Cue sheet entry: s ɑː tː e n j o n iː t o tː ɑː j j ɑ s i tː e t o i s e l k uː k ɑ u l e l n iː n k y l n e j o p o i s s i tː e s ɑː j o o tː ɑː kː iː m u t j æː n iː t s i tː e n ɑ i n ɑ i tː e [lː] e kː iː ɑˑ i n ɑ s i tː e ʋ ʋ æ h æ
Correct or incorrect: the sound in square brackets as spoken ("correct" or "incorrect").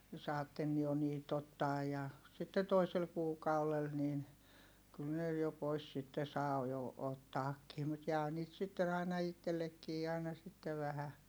correct